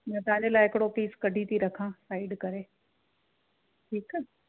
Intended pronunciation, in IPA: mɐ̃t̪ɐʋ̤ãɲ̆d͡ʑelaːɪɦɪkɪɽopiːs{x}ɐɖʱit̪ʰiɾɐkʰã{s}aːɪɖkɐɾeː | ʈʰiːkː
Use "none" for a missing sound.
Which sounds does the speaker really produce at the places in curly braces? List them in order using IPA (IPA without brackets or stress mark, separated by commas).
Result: k, s